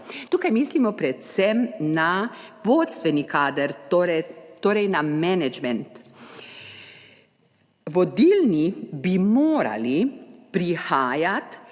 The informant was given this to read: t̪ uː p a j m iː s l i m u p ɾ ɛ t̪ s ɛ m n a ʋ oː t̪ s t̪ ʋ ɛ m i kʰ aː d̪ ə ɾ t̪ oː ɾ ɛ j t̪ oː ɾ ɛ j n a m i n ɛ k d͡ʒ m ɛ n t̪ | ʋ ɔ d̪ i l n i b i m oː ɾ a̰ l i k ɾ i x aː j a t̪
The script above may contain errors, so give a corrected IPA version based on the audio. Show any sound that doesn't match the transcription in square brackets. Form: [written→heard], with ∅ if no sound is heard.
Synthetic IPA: t̪ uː [p→k] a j m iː s l i m [u→ɔ] p ɾ ɛ t̪ s ɛ m n a ʋ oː t̪ s t̪ ʋ ɛ [m→n] i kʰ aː d̪ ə ɾ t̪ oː ɾ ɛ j t̪ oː ɾ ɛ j n a m [i→ɛ] n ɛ [k→∅] d͡ʒ m ɛ n t̪ | ʋ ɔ d̪ i l n i b i m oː ɾ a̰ l i [k→p] ɾ i x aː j a t̪